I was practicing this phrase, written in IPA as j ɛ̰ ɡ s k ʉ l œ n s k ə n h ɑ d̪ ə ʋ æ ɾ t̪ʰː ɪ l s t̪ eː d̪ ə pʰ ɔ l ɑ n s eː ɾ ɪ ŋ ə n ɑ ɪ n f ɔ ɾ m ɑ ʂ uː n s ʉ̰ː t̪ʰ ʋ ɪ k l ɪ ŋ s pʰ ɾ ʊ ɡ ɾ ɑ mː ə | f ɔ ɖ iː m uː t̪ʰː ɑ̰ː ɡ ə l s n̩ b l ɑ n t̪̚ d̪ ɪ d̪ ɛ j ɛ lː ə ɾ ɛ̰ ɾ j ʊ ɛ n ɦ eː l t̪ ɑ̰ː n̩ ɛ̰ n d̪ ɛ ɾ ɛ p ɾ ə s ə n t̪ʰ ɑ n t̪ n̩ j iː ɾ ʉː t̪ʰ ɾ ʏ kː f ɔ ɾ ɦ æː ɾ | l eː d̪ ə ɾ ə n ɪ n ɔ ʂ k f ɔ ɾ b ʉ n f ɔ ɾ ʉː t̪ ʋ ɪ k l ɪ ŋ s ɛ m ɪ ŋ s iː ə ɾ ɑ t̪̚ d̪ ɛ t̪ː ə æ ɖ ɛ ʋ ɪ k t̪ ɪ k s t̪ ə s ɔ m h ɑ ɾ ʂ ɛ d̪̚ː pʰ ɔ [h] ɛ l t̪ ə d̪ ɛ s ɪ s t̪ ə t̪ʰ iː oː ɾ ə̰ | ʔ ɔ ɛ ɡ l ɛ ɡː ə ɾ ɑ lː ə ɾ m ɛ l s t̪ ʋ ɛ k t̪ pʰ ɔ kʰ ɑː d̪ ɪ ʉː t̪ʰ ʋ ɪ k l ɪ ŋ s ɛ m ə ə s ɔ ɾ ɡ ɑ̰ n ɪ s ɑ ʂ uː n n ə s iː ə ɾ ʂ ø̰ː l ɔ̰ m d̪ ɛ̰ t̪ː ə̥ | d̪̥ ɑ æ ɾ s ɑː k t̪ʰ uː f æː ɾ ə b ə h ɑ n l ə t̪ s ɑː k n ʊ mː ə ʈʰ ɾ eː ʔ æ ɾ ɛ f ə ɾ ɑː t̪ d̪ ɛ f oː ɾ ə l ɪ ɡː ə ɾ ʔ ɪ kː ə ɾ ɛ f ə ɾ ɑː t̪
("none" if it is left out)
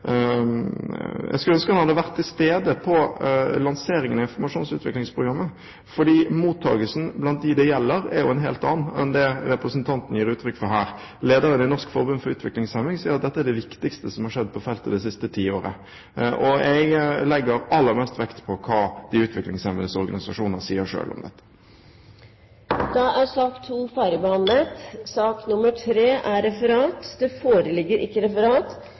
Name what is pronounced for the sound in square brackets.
f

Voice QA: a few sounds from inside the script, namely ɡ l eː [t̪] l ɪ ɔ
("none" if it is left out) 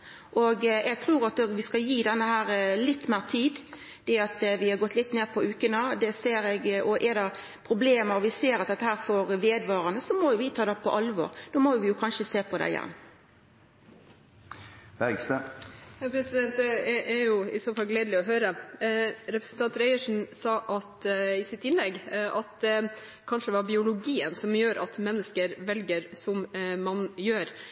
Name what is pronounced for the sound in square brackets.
d̪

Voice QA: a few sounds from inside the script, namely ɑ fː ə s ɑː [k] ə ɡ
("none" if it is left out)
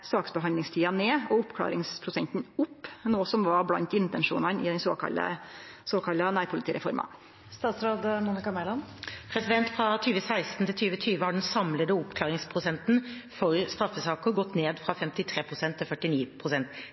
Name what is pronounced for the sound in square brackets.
k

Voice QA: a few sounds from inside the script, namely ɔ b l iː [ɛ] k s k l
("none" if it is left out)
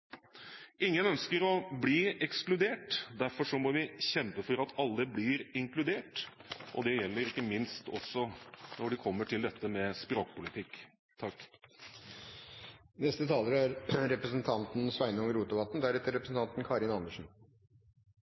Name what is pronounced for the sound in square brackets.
ɛ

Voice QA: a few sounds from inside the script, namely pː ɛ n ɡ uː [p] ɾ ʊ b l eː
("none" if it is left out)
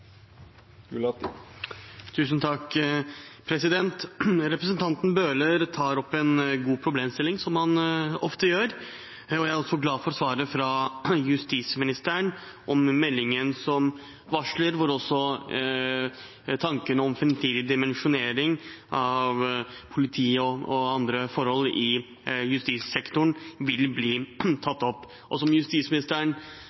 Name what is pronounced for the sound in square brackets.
pʰ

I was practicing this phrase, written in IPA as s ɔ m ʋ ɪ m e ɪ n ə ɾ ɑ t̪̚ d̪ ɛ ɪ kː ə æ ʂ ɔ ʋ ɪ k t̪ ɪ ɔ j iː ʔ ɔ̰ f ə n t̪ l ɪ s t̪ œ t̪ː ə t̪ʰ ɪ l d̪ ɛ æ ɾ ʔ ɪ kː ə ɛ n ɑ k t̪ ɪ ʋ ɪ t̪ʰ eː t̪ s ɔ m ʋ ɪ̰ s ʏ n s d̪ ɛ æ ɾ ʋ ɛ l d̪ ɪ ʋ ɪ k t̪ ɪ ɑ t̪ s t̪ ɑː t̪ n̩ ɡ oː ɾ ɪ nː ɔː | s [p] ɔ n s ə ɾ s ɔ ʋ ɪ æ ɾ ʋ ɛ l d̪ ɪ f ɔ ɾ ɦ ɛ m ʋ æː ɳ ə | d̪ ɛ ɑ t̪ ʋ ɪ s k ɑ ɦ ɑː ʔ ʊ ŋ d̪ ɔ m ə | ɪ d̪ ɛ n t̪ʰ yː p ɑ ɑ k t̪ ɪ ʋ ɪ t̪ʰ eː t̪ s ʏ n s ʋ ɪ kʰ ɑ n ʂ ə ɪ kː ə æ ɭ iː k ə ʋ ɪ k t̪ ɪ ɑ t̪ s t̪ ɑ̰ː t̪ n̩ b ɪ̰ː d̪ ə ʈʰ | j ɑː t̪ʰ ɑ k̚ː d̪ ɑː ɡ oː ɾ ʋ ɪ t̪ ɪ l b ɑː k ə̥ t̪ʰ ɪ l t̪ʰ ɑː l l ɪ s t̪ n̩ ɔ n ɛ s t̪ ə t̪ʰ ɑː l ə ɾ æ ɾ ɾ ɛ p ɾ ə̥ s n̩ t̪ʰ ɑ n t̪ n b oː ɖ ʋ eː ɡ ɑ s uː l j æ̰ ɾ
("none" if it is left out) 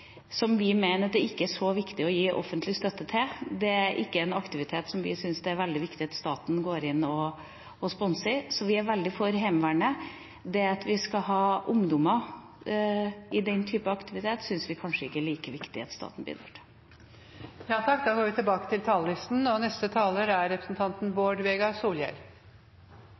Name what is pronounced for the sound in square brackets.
p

